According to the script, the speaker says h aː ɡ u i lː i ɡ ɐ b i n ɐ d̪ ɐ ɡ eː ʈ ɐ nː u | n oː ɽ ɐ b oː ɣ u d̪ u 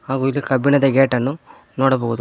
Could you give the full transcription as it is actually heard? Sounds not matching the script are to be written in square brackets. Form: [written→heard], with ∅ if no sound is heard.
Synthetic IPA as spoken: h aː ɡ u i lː i [ɡ→k] ɐ b i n ɐ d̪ ɐ ɡ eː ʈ ɐ nː u | n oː ɽ ɐ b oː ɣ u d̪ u